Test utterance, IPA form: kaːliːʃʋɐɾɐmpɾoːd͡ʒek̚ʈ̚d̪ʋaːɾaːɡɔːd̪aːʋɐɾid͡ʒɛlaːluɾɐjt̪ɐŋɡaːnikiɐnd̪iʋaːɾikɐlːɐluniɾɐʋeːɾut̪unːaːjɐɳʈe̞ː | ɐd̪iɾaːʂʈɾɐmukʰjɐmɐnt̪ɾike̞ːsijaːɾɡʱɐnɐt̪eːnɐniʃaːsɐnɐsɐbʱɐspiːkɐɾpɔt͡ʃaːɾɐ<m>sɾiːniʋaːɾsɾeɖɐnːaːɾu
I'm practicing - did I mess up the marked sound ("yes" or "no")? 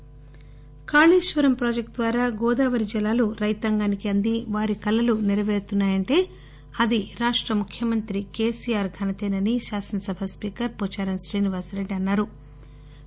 yes